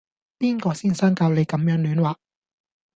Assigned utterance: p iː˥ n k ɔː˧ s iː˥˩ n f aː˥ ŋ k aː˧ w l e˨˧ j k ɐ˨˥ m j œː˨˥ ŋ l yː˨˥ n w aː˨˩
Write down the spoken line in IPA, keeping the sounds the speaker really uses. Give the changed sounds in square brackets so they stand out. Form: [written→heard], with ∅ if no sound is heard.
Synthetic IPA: p iː˥ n k ɔː˧ s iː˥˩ n [f→s] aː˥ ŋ k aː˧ w l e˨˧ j k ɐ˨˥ m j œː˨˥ ŋ l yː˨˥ n w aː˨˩